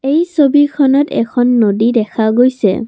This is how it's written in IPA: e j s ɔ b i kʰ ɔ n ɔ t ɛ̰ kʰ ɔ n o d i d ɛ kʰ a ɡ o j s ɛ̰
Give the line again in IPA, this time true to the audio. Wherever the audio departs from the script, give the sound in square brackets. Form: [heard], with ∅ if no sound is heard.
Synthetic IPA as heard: e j s [o] b i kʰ ɔ n ɔ t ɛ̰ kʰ ɔ [nː] o d i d ɛ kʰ a ɡ o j s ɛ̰